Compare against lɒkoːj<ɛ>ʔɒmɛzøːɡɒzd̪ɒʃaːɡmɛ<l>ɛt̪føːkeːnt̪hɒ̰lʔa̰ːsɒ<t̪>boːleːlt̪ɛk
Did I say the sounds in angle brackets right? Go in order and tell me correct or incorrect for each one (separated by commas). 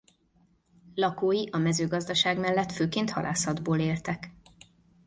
incorrect, incorrect, incorrect